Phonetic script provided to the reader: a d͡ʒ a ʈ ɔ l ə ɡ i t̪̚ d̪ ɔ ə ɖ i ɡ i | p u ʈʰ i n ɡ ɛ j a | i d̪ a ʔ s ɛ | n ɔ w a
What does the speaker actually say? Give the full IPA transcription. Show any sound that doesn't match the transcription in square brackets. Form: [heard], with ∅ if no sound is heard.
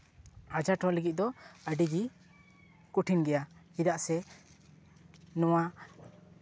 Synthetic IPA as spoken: a d͡ʒ a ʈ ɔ l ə ɡ i t̪̚ d̪ ɔ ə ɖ i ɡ i | [k] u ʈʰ i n ɡ ɛ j a | i d̪ a ʔ s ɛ | n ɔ w a

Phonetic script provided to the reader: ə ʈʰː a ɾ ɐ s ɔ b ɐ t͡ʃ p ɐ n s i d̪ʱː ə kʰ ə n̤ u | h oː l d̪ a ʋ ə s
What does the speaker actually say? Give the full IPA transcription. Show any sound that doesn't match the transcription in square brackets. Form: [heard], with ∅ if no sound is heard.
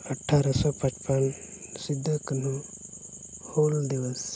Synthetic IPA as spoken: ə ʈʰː a ɾ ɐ s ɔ [p] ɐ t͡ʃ p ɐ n s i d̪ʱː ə [k] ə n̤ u | h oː l d̪ [i] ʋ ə s

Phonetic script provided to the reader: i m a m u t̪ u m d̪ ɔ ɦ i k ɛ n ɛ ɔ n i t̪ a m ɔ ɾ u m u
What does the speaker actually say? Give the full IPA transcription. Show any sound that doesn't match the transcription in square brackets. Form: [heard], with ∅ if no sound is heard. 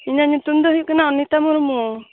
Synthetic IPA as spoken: i [ɲ] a [ɲ] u t̪ u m d̪ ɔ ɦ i k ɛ n [a] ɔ n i t̪ a m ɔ ɾ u m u

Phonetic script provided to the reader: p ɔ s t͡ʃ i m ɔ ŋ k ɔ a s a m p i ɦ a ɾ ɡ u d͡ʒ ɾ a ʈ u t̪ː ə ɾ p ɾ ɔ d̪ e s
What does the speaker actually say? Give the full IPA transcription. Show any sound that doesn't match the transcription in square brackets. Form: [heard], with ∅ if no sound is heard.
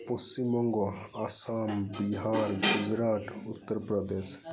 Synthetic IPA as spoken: p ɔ s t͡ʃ i m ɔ ŋ [ɡ] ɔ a s a m [b] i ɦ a ɾ ɡ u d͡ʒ ɾ a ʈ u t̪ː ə ɾ p ɾ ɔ d̪ e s

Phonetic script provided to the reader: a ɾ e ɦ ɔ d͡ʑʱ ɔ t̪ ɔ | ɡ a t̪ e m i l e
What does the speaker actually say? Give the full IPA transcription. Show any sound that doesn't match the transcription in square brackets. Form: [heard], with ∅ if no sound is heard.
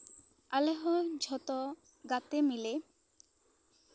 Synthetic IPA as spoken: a [l] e ɦ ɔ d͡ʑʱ ɔ t̪ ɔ | ɡ a t̪ e m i l e

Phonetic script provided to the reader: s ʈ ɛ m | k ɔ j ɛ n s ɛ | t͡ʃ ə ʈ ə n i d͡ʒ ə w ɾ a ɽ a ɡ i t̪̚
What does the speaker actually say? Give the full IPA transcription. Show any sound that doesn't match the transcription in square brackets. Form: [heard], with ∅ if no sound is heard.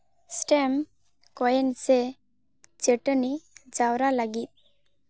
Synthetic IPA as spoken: s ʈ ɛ m | k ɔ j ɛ n s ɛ | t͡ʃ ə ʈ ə n i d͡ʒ [a] w ɾ a [l] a ɡ i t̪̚

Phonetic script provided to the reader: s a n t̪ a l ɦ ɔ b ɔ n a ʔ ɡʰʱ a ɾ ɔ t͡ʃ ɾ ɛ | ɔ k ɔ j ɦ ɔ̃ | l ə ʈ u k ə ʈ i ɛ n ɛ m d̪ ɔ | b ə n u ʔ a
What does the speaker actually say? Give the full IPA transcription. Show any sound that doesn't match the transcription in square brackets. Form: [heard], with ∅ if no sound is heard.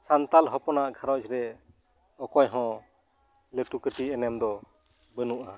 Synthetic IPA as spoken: s a n t̪ a l ɦ ɔ [p] ɔ n a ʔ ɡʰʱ a ɾ ɔ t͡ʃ ɾ ɛ | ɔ k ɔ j ɦ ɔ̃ | l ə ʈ u k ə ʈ i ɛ n ɛ m d̪ ɔ | b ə n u ʔ a

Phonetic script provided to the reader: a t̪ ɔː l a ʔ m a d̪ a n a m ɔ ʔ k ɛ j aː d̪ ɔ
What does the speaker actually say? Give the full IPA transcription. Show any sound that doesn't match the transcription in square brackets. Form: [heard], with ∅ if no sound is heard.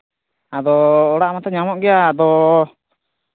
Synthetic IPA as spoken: a [d̪] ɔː [ɽ] a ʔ m a [t̪] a [ɲ] a m ɔ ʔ [ɡ] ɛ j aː d̪ ɔ

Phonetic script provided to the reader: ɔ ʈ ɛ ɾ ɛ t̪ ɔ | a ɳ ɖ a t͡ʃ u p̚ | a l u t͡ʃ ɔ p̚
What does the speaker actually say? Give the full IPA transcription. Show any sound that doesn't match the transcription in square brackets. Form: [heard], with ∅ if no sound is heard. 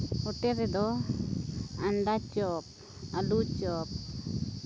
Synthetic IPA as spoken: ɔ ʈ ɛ ɾ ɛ [d̪] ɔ | a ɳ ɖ a t͡ʃ [ɔ] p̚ | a l u t͡ʃ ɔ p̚

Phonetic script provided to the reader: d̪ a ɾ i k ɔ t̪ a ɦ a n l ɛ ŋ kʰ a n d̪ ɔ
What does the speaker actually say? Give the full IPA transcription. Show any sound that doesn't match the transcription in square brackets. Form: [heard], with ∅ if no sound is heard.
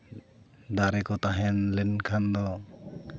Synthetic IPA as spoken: d̪ a ɾ [ɛ] k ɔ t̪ a ɦ [ɛ] n l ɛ [n] kʰ a n d̪ ɔ

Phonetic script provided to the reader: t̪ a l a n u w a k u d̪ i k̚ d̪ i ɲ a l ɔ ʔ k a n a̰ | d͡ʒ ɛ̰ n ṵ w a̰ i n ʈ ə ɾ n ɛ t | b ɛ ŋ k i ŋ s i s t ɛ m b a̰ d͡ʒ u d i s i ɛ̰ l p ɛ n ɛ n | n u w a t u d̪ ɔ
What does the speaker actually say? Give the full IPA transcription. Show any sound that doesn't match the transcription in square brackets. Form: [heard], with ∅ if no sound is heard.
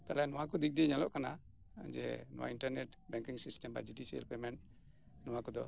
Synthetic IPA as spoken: t̪ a l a n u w a k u d̪ i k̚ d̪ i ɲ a l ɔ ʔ k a n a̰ | d͡ʒ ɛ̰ n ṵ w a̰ i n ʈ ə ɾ n ɛ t | b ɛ ŋ k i ŋ s i s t ɛ m b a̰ d͡ʒ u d i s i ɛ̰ l p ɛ [m] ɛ n | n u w a [k] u d̪ ɔ

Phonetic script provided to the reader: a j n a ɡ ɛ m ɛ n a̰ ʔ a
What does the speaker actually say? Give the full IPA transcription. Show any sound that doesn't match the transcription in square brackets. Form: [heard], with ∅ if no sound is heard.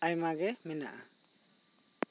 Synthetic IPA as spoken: a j [m] a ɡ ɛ m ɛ n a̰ ʔ a

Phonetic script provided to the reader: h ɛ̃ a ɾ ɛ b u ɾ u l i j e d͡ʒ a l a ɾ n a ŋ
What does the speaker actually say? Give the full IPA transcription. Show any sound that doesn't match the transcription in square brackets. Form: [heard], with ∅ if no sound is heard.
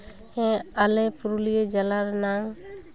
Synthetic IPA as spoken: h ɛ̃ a [l] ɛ [p] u ɾ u l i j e d͡ʒ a l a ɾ n a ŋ

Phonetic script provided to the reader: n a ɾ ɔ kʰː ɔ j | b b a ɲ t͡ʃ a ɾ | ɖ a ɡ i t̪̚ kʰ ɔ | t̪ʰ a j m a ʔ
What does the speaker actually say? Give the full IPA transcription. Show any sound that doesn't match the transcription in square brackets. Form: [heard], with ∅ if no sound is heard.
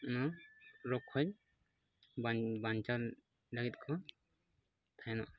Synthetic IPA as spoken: n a ɾ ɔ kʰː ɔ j | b b a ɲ t͡ʃ a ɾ | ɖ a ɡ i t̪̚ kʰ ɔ | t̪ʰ a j [n] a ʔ

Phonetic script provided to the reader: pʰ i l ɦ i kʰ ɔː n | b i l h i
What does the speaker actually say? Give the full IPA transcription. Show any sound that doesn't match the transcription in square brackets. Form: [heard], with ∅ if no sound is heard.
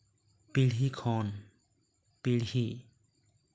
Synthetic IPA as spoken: [p] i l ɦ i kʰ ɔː n | [p] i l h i

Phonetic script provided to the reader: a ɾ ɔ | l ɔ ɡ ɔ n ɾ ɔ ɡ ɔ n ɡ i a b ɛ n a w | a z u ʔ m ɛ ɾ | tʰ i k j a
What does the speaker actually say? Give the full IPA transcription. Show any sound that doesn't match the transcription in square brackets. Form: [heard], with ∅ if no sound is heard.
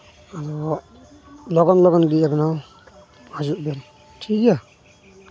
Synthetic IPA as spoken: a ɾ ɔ | l ɔ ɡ ɔ n [l] ɔ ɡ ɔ n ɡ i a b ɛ n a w | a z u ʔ [b] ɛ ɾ | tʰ i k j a

